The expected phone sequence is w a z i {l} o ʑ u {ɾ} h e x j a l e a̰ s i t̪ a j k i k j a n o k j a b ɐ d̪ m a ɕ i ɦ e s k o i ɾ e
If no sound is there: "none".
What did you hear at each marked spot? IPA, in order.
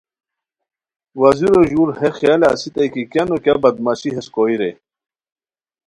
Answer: ɾ, ɾ

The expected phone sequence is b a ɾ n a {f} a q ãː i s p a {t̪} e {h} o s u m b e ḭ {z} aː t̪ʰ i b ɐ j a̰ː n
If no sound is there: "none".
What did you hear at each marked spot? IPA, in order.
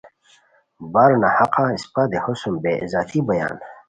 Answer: h, d̪, h, z

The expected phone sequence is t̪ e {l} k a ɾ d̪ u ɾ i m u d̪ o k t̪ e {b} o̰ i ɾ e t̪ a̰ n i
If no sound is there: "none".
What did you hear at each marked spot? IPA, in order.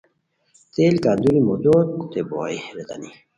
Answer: l, b

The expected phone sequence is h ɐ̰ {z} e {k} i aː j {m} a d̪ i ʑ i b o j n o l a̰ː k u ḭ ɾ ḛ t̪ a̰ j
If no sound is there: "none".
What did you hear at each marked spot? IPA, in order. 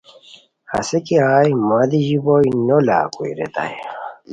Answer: s, k, m

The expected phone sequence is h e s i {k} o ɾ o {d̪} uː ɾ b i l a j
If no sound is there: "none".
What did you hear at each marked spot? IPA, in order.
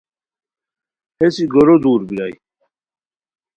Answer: ɡ, d̪

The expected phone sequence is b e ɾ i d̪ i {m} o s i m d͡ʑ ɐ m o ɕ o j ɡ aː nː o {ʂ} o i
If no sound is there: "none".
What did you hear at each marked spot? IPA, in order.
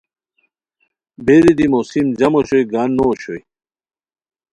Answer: m, ɕ

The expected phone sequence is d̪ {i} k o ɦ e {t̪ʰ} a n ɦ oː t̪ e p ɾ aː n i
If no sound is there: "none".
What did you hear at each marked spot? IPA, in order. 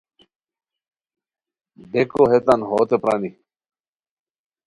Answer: e, t̪

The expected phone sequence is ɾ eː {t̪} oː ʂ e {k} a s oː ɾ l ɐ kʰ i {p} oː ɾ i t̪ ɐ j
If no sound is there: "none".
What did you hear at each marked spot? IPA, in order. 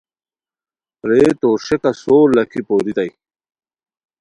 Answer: t̪, k, p

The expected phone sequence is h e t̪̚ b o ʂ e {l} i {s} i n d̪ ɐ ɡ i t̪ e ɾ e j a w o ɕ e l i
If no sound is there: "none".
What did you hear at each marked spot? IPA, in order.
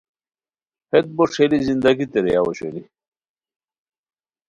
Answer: l, z

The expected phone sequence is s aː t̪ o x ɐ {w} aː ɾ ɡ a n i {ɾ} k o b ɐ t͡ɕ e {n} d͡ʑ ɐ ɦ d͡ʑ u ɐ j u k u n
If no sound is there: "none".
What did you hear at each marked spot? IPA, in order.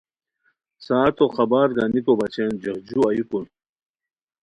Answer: b, none, n

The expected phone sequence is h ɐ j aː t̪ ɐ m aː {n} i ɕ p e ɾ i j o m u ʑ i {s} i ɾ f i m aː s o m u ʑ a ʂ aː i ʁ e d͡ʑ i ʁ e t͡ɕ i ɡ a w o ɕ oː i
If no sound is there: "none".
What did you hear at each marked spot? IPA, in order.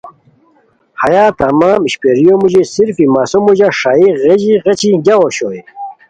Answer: m, s

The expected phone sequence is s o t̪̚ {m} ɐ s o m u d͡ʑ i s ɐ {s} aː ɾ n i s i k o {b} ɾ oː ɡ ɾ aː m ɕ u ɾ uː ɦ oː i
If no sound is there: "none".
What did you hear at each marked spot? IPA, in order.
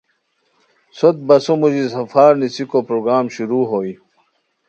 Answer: b, f, p

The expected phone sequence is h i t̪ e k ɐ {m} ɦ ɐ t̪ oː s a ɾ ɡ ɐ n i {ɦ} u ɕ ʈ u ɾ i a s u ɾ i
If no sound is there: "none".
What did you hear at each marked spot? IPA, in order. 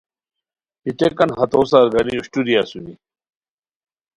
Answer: n, none

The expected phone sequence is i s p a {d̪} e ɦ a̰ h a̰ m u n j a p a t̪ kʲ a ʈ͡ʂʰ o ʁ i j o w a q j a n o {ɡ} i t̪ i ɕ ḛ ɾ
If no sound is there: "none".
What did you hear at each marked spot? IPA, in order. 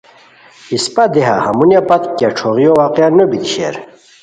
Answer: d̪, b

